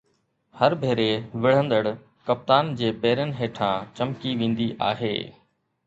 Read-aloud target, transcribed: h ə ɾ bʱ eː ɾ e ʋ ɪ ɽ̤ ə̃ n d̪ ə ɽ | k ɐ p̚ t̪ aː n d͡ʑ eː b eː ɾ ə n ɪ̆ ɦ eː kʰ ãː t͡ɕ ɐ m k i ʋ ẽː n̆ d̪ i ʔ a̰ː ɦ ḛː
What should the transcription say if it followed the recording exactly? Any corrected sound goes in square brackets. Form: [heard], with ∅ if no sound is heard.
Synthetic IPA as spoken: h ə ɾ bʱ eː ɾ e ʋ ɪ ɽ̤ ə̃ n d̪ ə ɽ | k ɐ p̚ t̪ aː n d͡ʑ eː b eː ɾ ə n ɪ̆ ɦ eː [ʈʰ] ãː t͡ɕ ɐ m k i ʋ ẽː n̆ d̪ i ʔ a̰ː ɦ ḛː